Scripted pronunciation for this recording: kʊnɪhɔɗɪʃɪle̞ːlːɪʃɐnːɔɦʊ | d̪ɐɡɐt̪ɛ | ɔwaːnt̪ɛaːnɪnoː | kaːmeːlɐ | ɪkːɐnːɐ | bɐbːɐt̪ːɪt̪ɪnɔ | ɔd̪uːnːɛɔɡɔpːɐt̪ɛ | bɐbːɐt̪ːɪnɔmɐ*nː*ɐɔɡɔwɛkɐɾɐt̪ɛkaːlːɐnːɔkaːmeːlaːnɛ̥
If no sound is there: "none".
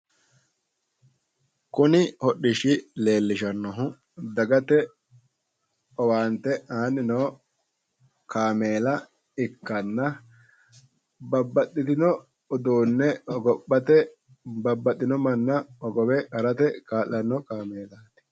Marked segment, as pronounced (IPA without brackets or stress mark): nː